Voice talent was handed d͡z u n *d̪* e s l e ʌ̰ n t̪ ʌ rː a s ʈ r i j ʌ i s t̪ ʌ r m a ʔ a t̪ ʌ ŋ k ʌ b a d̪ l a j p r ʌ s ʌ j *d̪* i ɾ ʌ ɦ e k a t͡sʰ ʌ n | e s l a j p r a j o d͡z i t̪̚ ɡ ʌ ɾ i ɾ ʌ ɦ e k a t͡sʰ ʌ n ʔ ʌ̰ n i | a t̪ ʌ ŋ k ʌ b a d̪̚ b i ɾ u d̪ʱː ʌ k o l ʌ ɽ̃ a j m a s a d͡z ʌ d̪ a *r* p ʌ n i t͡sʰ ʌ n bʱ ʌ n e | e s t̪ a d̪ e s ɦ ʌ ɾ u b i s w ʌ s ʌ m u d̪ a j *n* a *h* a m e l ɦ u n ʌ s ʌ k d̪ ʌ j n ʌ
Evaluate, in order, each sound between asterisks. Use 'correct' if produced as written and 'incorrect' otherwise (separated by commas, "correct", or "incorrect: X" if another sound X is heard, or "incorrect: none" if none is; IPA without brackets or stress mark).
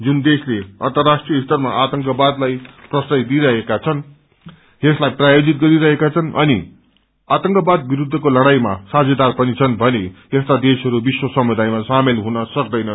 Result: correct, correct, correct, incorrect: m, incorrect: s